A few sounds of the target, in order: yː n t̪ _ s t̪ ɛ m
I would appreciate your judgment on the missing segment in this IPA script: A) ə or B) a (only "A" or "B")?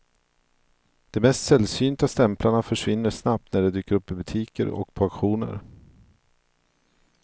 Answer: B